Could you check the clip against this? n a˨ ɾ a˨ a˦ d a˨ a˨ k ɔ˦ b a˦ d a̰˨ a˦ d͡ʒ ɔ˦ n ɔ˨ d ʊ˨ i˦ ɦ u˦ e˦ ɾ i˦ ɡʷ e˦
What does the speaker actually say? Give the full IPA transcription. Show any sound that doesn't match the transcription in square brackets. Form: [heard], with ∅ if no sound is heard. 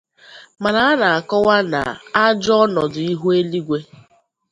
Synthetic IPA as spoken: [m] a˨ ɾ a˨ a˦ [n] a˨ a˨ k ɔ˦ [w] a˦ [n] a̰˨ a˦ d͡ʒ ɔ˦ n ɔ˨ d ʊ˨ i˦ ɦ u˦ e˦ [l] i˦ ɡʷ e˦